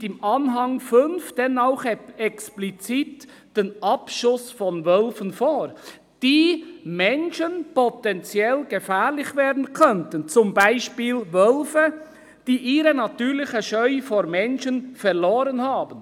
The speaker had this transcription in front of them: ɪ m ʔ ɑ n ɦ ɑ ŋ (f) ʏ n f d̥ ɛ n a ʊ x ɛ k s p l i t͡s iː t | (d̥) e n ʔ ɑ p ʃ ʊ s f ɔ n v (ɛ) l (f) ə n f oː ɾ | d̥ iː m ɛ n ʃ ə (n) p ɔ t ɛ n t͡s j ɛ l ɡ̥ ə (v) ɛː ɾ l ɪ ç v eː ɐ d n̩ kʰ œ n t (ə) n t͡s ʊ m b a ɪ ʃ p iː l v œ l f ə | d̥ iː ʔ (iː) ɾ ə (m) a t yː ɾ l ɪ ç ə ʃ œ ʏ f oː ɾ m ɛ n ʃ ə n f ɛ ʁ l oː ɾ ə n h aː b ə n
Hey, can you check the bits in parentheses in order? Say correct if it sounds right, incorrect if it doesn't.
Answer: correct, correct, incorrect: œ, correct, correct, incorrect: f, correct, correct, incorrect: n

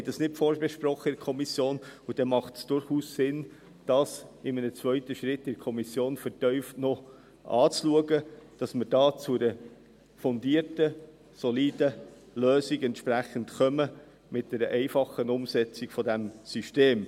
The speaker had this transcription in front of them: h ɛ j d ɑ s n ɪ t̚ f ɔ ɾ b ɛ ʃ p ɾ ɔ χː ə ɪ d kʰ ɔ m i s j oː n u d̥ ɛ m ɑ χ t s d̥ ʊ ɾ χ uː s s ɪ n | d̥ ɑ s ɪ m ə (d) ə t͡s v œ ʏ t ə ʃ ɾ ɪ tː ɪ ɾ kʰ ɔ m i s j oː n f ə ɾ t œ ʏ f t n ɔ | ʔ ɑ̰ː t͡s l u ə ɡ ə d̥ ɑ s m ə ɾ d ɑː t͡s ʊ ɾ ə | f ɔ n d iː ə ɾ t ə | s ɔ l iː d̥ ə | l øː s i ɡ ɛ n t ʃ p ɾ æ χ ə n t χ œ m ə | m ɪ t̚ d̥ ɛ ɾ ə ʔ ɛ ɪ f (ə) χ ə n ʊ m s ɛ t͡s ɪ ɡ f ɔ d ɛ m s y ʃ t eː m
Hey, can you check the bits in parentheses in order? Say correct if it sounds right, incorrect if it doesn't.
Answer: incorrect: n, incorrect: ɑ

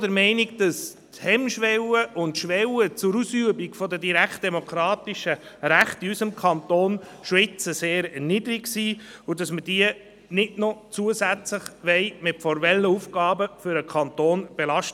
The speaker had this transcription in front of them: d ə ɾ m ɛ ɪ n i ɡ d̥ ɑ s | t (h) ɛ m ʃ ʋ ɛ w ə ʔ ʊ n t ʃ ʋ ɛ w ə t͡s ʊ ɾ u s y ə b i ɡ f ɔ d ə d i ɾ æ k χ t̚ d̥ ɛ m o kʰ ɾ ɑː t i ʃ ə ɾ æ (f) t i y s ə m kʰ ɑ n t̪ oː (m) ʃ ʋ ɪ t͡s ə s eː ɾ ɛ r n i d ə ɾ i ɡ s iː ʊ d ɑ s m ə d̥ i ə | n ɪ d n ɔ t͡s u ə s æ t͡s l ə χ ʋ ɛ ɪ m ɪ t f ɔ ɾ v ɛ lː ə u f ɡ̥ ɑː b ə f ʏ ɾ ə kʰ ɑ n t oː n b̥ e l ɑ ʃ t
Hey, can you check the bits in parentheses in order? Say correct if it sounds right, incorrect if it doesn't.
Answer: correct, incorrect: χ, incorrect: n

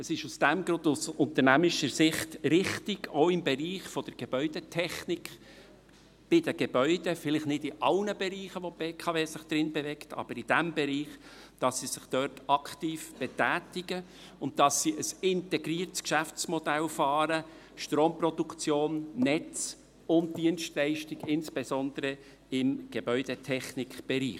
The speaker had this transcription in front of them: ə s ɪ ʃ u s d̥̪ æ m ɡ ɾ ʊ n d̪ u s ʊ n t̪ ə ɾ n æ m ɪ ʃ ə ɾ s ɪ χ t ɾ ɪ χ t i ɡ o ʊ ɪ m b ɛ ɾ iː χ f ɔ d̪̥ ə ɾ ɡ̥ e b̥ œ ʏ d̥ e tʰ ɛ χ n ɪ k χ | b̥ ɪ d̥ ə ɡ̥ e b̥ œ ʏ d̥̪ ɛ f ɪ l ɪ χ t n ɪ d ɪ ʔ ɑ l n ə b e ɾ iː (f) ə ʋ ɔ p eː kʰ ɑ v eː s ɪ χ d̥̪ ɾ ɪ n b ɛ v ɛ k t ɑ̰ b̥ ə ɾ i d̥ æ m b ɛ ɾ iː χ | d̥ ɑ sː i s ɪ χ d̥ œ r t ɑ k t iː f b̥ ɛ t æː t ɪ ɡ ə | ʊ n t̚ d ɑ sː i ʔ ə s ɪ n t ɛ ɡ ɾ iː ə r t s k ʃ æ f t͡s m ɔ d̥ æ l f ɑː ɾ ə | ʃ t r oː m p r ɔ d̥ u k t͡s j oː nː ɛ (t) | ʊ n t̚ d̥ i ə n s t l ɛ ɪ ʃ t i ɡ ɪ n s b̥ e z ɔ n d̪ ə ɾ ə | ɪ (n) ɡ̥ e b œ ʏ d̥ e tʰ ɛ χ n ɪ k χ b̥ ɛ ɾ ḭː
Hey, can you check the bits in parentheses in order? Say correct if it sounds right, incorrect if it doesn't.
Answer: incorrect: χ, incorrect: t͡s, incorrect: m

